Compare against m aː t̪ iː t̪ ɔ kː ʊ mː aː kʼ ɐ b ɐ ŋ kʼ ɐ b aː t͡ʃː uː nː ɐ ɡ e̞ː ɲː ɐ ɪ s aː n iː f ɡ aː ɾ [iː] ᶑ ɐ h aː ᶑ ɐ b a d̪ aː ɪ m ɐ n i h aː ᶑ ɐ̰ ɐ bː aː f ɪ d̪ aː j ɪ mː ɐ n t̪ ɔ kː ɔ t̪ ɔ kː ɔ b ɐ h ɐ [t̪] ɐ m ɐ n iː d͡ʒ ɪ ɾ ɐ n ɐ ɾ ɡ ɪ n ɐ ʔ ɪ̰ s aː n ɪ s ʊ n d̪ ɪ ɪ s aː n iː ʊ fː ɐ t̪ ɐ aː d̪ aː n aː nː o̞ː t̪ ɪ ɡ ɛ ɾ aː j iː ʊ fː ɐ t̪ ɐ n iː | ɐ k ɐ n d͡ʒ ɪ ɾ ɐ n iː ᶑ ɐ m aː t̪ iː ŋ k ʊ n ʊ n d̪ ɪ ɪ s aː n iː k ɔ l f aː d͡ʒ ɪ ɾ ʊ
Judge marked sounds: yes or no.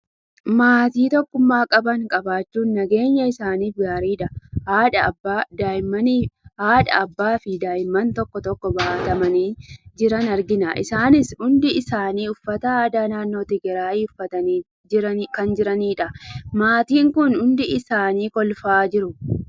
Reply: yes, yes

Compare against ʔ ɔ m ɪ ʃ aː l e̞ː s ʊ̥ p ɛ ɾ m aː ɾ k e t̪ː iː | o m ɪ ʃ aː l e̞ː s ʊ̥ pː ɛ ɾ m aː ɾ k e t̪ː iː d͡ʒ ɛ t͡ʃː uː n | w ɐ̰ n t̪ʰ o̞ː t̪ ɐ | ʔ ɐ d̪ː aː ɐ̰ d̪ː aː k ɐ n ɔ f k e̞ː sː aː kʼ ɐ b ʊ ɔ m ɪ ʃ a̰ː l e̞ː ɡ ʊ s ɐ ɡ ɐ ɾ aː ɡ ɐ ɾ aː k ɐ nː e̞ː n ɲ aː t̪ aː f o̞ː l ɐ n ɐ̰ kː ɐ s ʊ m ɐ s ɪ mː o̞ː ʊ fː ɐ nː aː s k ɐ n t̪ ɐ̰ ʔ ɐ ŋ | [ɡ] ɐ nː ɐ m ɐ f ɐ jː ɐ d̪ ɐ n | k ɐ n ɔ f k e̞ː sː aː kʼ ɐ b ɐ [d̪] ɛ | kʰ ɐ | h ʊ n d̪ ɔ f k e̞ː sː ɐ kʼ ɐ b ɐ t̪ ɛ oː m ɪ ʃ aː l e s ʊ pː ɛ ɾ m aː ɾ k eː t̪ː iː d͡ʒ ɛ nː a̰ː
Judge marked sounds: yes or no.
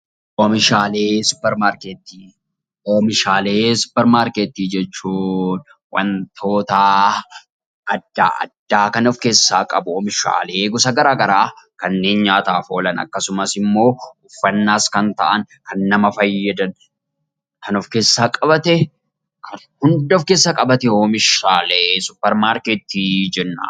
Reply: no, no

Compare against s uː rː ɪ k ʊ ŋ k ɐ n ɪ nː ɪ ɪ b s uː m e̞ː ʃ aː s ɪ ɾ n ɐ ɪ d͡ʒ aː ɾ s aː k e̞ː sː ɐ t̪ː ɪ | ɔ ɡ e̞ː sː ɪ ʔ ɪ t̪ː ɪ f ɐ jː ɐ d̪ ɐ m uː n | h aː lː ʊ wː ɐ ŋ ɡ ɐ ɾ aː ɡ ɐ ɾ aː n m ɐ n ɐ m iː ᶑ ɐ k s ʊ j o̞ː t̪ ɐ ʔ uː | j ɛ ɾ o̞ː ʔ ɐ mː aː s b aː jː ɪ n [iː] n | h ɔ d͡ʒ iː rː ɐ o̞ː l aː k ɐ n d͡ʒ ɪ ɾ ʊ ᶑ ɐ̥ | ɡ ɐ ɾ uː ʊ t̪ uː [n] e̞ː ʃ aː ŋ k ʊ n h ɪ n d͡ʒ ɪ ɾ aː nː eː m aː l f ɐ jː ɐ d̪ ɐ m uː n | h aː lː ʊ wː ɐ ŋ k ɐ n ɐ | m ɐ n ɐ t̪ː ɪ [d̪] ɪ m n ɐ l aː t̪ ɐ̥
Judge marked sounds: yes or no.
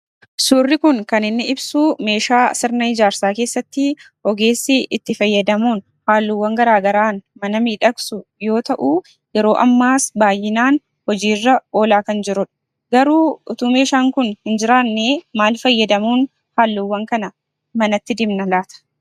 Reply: no, no, yes

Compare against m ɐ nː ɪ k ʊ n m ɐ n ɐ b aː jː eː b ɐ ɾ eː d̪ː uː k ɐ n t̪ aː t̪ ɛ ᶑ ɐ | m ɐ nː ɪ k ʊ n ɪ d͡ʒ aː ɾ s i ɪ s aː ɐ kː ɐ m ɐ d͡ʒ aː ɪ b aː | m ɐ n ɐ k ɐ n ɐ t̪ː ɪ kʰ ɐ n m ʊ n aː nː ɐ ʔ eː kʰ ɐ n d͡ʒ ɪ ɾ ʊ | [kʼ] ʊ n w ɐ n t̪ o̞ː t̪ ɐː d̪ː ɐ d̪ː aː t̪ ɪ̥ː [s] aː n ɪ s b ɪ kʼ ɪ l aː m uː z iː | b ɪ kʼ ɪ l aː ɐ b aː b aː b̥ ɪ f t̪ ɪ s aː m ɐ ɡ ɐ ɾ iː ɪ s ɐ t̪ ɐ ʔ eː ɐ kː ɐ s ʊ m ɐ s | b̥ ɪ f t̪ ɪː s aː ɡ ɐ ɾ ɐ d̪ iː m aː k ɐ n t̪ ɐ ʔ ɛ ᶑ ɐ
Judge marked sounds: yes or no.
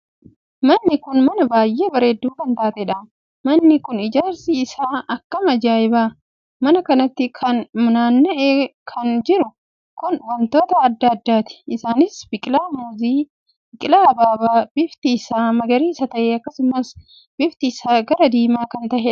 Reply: no, yes

